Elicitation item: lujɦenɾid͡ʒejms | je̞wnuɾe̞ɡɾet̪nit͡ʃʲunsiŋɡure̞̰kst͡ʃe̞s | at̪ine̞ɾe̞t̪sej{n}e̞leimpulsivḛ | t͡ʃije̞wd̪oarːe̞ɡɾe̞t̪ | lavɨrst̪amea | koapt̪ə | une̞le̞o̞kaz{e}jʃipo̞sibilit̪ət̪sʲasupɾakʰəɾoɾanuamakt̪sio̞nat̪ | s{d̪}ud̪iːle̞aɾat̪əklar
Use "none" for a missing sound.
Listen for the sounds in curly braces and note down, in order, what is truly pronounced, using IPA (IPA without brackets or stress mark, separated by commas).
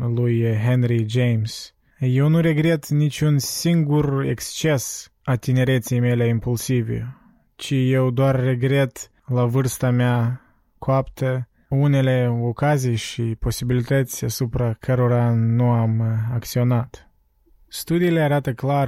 m, i, t̪